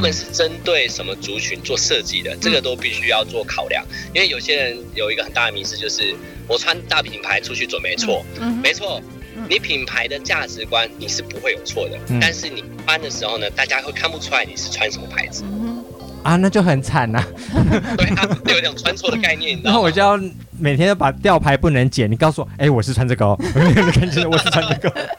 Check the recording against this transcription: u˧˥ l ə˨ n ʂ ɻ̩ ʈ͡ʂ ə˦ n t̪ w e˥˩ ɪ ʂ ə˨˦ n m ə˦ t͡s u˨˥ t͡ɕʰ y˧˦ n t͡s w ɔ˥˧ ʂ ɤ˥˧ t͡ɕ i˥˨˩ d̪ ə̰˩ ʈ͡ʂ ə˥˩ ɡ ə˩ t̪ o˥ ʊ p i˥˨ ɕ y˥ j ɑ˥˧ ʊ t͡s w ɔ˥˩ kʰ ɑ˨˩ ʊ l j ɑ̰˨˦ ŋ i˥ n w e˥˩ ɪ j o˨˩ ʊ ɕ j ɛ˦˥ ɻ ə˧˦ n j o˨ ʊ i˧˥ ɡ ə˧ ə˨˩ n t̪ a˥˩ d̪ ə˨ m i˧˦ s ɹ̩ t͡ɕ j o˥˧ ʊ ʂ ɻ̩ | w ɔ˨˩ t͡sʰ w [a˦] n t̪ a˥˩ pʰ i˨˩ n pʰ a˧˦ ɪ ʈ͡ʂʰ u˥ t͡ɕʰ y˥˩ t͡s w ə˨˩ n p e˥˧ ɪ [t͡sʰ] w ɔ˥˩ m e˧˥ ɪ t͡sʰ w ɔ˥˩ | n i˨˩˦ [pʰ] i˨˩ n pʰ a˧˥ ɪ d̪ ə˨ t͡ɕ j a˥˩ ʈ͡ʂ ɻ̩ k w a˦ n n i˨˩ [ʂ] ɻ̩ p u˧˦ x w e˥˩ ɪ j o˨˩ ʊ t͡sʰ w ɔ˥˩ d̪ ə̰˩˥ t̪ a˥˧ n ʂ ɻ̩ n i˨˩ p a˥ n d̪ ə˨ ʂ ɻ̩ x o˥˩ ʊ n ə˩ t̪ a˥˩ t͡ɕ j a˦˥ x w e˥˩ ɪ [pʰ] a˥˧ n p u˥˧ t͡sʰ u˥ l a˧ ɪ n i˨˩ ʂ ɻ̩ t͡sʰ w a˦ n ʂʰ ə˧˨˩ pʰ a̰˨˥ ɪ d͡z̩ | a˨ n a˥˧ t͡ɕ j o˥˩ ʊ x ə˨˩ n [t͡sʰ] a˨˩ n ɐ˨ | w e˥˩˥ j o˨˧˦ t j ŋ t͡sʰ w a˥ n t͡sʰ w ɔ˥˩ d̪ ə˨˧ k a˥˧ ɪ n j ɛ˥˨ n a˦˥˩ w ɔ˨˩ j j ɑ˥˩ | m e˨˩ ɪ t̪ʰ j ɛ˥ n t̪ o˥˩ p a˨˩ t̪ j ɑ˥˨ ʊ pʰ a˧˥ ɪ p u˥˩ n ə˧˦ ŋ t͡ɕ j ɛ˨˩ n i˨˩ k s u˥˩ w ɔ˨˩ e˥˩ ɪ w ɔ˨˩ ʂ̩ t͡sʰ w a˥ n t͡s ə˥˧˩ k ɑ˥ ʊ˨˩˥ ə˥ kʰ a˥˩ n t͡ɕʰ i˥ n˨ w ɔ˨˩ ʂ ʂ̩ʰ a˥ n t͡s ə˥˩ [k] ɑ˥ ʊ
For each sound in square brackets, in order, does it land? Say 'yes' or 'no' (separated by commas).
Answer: yes, yes, yes, yes, no, yes, yes